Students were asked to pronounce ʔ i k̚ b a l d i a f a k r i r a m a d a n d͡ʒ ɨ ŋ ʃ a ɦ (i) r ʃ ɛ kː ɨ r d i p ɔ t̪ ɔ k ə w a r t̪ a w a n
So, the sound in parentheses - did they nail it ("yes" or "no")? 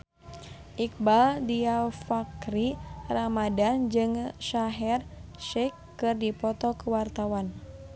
no